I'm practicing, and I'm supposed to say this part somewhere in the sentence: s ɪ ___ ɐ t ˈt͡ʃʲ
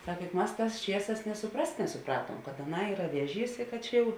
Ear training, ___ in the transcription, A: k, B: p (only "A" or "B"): A